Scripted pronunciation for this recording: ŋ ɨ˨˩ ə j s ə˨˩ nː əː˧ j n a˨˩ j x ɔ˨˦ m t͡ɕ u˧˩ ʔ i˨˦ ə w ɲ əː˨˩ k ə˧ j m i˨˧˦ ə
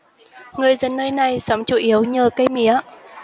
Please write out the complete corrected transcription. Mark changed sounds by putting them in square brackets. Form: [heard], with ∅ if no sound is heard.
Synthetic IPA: ŋ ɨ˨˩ ə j [z] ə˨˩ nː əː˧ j n a˨˩ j [s] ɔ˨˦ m t͡ɕ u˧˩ ʔ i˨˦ ə w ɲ əː˨˩ k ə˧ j m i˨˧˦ ə